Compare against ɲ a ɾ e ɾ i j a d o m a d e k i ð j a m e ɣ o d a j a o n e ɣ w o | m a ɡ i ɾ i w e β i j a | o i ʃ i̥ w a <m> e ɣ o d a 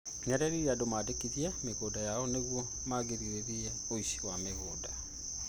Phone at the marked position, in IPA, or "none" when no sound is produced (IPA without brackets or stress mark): m